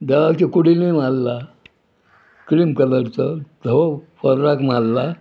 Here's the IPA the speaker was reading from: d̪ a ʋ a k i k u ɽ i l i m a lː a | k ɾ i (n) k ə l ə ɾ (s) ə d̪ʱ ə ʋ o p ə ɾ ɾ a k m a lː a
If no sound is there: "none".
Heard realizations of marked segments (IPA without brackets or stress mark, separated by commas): m, t͡s